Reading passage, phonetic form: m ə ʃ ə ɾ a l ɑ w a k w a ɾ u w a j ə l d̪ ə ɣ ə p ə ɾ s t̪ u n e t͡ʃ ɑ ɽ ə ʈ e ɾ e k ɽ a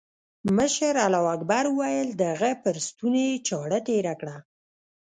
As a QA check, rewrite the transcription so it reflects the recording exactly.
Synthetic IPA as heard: m ə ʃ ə ɾ a l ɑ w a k b a ɾ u w a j ə l d̪ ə ɣ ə p ə ɾ s t̪ u n e t͡ʃ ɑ ɽ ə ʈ e ɾ a k ɽ a